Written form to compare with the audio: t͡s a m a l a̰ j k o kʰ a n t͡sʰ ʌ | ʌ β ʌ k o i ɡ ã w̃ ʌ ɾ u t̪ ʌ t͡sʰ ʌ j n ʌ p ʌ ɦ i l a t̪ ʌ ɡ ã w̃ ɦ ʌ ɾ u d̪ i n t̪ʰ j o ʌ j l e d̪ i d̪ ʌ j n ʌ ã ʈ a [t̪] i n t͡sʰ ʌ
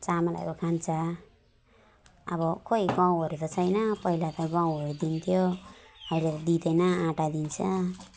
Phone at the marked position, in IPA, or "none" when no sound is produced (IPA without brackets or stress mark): d̪